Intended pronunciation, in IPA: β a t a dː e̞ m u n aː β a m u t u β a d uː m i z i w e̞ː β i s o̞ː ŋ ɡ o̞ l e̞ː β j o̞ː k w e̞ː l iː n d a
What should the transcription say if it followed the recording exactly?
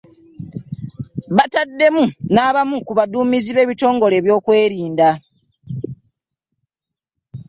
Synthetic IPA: β a t a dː e̞ m u n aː β a m u k u β a d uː m i z i β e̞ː β i t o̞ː ŋ ɡ o̞ l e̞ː β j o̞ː k w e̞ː ɾ iː n d a